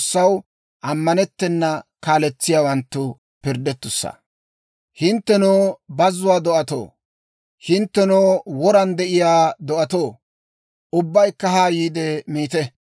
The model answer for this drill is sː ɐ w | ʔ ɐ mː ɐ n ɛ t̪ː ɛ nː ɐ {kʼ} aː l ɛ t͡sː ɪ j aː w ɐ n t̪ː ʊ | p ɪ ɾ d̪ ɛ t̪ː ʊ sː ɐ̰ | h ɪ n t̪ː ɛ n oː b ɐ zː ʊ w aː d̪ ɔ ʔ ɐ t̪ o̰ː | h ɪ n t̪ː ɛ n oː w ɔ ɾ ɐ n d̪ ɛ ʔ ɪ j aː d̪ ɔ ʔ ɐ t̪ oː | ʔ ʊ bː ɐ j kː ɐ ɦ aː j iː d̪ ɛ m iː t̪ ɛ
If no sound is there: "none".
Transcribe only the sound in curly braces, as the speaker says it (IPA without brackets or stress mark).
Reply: k